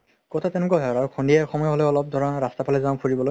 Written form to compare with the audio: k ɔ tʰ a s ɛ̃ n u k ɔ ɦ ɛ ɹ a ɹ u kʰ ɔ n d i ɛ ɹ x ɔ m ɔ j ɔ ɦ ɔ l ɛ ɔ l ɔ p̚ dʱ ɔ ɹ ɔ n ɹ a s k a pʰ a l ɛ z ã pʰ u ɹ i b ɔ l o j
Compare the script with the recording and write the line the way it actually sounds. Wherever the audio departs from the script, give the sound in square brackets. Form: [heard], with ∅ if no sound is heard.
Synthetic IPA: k ɔ tʰ a [t] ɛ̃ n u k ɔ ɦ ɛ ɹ a ɹ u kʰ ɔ n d i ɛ [∅] x ɔ m ɔ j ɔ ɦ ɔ l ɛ ɔ l ɔ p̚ dʱ ɔ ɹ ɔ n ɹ a s [t] a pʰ a l ɛ z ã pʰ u ɹ i b ɔ l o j